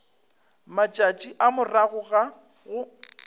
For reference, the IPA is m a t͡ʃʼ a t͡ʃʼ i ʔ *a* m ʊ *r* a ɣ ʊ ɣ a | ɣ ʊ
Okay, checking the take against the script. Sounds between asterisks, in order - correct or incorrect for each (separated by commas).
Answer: correct, correct